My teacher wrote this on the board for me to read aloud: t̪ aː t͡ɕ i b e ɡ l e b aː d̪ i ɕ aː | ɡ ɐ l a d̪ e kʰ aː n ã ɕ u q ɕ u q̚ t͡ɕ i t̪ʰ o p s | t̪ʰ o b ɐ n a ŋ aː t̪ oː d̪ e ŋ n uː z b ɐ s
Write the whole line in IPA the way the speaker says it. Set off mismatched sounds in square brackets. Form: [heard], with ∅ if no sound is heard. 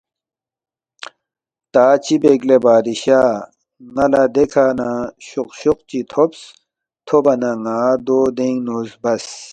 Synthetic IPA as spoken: t̪ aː t͡ɕ i b e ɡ l e b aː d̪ i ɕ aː | [ŋ] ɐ l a d̪ e kʰ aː n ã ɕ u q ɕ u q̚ t͡ɕ i t̪ʰ o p s | t̪ʰ o b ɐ n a ŋ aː [d̪] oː d̪ e ŋ n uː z b ɐ s